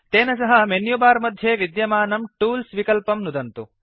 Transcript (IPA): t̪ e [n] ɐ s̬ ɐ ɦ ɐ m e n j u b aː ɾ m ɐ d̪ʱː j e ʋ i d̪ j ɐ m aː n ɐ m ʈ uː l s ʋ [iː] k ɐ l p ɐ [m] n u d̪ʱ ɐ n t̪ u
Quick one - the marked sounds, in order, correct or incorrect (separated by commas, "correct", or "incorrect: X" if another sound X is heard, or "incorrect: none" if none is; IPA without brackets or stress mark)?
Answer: correct, incorrect: i, correct